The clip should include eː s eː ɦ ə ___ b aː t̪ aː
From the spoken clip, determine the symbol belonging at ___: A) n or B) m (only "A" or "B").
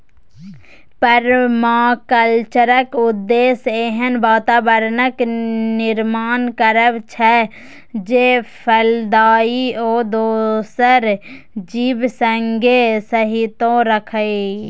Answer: A